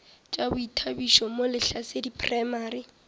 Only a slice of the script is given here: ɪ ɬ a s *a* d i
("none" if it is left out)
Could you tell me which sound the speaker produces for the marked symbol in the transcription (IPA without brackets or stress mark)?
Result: e